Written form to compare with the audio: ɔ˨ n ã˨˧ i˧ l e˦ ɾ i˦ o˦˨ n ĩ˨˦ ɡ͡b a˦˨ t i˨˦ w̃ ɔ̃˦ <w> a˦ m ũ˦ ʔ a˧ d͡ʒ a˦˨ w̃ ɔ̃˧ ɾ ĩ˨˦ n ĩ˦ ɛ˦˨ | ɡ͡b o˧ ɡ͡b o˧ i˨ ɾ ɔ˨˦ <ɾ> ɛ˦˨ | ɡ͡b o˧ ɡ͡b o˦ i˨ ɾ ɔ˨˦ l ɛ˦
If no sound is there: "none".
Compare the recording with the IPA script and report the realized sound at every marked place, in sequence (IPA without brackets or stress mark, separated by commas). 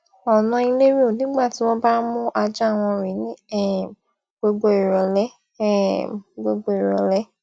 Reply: b, l